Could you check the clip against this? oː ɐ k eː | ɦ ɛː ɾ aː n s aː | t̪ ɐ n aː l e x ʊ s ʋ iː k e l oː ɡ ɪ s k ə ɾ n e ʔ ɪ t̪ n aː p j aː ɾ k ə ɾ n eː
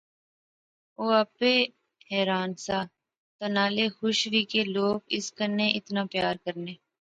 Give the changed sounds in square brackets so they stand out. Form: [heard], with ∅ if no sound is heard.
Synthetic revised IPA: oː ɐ [p] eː | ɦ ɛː ɾ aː n s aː | t̪ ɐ n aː l e x ʊ [ʃ] ʋ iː k e l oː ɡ ɪ s k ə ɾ n e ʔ ɪ t̪ n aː p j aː ɾ k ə ɾ n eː